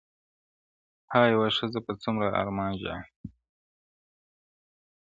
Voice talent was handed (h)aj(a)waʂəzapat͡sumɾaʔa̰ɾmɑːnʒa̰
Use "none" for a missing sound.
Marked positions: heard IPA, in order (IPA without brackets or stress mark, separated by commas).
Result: h, a